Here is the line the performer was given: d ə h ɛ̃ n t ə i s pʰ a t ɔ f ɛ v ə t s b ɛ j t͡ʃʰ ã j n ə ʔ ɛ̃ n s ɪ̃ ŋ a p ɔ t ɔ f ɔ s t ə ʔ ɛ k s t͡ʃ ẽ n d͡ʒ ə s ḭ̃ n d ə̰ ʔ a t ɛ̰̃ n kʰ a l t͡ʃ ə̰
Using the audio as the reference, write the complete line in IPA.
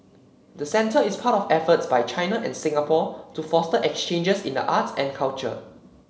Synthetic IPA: d ə s ɛ̃ n t ə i s pʰ a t ɔ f ɛ f ə t s b a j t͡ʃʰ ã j n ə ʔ ɛ̃ n s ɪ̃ ŋ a p ɔ t u f ɔ s t ə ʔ ɛ k s t͡ʃ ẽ n d͡ʒ ə s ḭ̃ n d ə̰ ʔ a t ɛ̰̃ n kʰ a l t͡ʃ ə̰